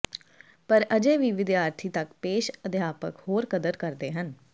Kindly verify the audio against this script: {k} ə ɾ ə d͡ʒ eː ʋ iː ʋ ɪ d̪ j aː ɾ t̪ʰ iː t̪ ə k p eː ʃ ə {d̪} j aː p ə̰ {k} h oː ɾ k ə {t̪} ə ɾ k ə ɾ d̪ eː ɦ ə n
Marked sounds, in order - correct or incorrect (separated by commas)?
incorrect, correct, correct, incorrect